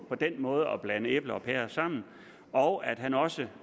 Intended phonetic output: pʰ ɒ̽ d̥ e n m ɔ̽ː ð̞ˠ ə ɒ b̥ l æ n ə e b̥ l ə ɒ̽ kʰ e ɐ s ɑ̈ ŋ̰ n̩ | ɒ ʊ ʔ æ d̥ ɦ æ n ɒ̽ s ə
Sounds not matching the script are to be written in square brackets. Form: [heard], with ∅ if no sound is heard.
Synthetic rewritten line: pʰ ɒ̽ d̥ e n m ɔ̽ː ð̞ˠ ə ɒ b̥ l æ n ə e b̥ l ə ɒ̽ [pʰ] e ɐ s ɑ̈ [m̰] n̩ | ɒ ʊ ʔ æ d̥ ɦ æ n ɒ̽ s ə